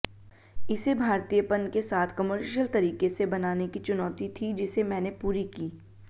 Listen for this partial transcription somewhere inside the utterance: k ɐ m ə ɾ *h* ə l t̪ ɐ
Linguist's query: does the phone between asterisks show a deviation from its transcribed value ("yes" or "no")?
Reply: yes